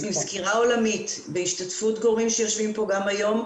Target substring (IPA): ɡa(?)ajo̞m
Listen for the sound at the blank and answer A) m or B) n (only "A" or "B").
A